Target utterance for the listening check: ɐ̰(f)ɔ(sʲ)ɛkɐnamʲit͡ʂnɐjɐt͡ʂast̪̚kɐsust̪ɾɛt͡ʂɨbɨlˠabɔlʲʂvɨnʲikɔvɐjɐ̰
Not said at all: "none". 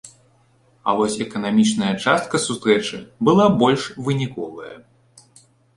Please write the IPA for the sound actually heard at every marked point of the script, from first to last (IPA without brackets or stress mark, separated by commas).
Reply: v, sʲ